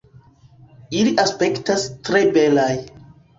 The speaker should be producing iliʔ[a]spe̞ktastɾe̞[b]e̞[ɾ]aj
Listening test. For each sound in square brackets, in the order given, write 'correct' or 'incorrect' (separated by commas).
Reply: correct, correct, incorrect